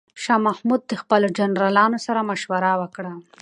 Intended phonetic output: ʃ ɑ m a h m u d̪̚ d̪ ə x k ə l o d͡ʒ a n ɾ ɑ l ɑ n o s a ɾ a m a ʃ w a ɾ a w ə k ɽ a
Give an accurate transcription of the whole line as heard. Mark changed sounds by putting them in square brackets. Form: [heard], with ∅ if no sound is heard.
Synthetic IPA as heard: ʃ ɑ m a h m u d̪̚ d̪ ə x [p] ə l o d͡ʒ a n ɾ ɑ l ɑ n o s a ɾ a m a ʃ w a ɾ a w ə k ɽ a